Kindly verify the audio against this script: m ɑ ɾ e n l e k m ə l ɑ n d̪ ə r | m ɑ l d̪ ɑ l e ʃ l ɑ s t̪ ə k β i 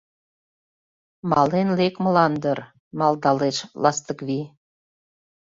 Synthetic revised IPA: m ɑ l e n l e k m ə l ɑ n d̪ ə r | m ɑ l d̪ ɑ l e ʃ l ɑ s t̪ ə k β i